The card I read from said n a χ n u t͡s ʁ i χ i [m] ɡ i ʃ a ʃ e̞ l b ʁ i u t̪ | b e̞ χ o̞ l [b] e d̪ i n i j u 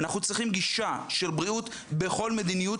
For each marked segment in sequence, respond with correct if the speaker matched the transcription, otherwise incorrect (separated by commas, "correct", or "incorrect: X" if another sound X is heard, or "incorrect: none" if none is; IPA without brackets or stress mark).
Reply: correct, incorrect: m